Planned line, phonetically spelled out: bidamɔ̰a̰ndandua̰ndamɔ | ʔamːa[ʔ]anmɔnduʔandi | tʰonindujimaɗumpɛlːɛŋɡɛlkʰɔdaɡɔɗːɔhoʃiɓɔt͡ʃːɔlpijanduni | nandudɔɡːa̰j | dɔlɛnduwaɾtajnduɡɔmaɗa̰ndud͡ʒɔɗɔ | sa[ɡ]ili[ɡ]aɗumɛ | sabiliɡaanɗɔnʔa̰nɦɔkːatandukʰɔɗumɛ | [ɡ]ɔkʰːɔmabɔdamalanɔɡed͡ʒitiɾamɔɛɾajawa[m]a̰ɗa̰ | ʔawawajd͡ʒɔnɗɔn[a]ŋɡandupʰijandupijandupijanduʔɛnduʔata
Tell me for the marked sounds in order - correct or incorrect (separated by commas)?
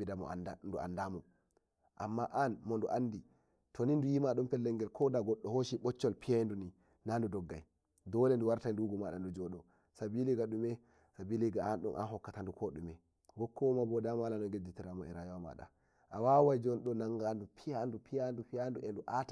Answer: correct, incorrect, correct, correct, correct, correct